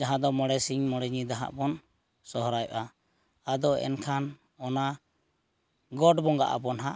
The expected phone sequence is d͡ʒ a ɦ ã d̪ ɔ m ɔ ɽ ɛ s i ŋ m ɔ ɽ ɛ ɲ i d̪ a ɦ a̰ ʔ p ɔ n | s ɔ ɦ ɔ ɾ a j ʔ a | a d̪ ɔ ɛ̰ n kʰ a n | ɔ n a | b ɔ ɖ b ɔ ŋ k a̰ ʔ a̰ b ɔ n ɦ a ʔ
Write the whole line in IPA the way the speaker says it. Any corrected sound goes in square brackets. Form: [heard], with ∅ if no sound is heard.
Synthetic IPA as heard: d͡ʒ a ɦ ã d̪ ɔ m ɔ ɽ ɛ s i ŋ m ɔ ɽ ɛ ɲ i d̪ a ɦ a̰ ʔ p ɔ n | s ɔ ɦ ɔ ɾ a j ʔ a | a d̪ ɔ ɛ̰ n kʰ a n | ɔ n a | [ɡ] ɔ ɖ b ɔ ŋ [ɡ] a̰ ʔ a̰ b ɔ n ɦ a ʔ